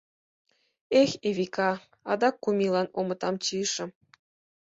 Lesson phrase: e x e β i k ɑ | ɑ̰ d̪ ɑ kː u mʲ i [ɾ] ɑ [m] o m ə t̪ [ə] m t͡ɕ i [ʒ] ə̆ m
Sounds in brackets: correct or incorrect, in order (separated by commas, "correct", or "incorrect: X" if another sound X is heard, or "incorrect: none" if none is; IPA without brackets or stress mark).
incorrect: l, incorrect: n, incorrect: ɑ, incorrect: ʃ